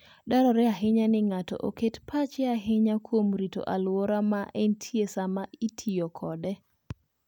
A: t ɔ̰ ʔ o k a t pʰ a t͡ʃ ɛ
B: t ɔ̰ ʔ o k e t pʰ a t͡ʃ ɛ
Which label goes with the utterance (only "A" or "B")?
B